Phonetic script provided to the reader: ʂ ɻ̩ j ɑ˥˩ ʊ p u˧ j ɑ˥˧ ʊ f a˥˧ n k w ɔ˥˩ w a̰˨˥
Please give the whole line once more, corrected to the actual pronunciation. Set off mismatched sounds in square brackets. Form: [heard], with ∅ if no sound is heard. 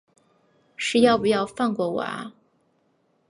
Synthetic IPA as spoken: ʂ ɻ̩ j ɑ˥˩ ʊ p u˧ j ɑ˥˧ ʊ f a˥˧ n k w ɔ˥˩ w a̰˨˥